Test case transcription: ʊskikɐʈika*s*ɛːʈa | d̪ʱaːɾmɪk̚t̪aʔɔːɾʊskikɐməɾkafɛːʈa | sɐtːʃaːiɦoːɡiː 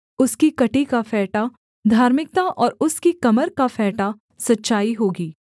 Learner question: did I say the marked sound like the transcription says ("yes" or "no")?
no